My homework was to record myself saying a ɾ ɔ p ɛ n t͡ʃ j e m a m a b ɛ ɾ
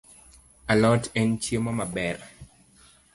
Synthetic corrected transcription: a l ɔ t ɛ n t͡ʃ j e m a m a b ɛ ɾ